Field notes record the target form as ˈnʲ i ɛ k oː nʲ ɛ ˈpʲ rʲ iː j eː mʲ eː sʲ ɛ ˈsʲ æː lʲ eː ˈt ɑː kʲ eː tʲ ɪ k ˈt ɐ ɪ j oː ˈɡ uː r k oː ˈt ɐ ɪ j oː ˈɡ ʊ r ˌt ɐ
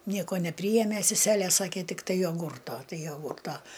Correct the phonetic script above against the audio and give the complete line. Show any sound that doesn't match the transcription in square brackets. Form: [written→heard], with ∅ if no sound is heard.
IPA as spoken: ˈnʲ i ɛ k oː nʲ ɛ ˈpʲ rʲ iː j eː mʲ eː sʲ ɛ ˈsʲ æː lʲ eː [ˈt→ˈs] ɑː kʲ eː tʲ ɪ k ˈt ɐ ɪ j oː ˈɡ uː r [k→t] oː ˈt ɐ ɪ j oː ˈɡ ʊ r ˌt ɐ